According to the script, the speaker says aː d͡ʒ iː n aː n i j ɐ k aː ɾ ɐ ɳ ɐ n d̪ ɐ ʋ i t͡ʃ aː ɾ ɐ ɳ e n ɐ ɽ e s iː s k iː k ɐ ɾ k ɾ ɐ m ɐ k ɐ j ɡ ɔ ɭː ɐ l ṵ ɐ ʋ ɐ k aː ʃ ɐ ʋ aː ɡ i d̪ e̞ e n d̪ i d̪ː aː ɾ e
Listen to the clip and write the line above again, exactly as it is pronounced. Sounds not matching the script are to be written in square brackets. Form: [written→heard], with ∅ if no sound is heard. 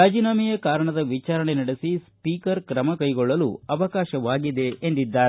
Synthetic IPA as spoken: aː d͡ʒ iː n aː [n→m] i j ɐ k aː ɾ ɐ ɳ ɐ [n→∅] d̪ ɐ ʋ i t͡ʃ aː ɾ ɐ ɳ e n ɐ ɽ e s [iː→i] s [k→p] iː k ɐ ɾ k ɾ ɐ m ɐ k ɐ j ɡ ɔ ɭː ɐ l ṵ ɐ ʋ ɐ k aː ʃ ɐ ʋ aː ɡ i d̪ e̞ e n d̪ i d̪ː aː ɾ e

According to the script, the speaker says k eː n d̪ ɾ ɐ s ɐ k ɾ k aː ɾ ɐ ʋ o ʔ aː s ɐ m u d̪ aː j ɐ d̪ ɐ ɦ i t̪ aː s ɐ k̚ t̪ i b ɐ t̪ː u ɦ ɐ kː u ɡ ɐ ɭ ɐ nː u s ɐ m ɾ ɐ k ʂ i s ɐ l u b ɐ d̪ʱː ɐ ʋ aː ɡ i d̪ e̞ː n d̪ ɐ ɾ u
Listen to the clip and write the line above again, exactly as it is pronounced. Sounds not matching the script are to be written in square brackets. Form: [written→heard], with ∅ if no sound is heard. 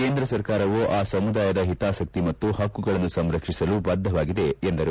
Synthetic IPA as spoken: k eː n d̪ ɾ ɐ s ɐ [k→∅] ɾ k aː ɾ ɐ ʋ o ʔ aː s ɐ m u d̪ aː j ɐ d̪ ɐ ɦ i t̪ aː s ɐ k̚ t̪ i [b→m] ɐ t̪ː u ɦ ɐ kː u ɡ ɐ ɭ ɐ nː u s ɐ m ɾ ɐ k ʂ i s ɐ l u b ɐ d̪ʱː ɐ ʋ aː ɡ i d̪ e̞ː n d̪ ɐ ɾ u

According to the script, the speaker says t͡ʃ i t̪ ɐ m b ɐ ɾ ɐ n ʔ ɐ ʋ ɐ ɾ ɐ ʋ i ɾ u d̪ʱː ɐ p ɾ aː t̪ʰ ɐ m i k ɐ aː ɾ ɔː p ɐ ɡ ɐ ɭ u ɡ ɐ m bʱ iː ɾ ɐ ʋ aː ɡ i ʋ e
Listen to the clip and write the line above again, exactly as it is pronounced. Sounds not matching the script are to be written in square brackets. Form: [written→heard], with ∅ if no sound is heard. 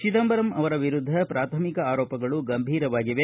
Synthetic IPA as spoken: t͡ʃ i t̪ ɐ m b ɐ ɾ ɐ [n→m] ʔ ɐ ʋ ɐ ɾ ɐ ʋ i ɾ u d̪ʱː ɐ p ɾ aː t̪ʰ ɐ m i k ɐ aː ɾ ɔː p ɐ ɡ ɐ ɭ u ɡ ɐ m bʱ iː ɾ ɐ ʋ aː ɡ i ʋ e

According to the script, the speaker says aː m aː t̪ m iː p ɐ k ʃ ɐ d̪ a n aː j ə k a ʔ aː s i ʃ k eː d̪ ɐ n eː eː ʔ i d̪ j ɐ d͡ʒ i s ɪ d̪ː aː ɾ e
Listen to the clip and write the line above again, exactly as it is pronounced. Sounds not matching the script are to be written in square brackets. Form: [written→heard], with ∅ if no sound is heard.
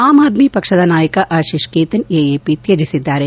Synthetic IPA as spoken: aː m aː [t̪→d̪] m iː p ɐ k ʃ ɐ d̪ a n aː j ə k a ʔ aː [s→ʃ] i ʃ k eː [d̪→t̪] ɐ n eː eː [ʔ→p] i [d̪→t̪] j ɐ d͡ʒ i s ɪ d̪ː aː ɾ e

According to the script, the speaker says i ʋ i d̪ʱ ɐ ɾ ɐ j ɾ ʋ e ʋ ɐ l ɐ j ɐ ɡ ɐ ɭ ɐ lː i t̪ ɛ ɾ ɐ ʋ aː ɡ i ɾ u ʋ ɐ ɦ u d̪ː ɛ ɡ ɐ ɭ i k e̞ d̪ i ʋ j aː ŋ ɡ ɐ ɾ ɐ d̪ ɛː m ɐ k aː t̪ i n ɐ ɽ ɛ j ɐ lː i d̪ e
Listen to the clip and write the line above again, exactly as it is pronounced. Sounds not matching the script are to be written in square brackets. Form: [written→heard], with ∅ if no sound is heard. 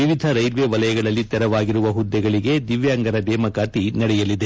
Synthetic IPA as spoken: i ʋ i d̪ʱ ɐ ɾ ɐ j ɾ ʋ e ʋ ɐ l ɐ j ɐ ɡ ɐ ɭ ɐ lː i t̪ ɛ ɾ ɐ ʋ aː ɡ i ɾ u ʋ ɐ ɦ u d̪ː ɛ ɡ ɐ ɭ i [k→ɡ] e̞ d̪ i ʋ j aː ŋ ɡ ɐ ɾ ɐ d̪ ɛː m ɐ k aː t̪ i n ɐ ɽ ɛ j ɐ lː i d̪ e

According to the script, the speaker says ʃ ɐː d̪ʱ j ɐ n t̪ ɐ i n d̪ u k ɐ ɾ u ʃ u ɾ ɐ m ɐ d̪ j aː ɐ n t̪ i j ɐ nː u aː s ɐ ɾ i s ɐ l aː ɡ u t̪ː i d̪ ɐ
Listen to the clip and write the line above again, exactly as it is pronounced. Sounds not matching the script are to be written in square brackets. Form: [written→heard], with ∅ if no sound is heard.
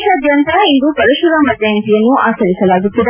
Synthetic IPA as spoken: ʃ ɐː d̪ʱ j ɐ n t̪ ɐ i n d̪ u [k→p] ɐ ɾ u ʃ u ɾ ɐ m ɐ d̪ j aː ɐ n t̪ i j ɐ nː u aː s ɐ ɾ i s ɐ l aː ɡ u t̪ː i d̪ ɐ

